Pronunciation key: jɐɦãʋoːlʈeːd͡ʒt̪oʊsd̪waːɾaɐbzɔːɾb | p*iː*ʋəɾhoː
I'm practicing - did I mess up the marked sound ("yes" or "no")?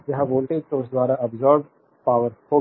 yes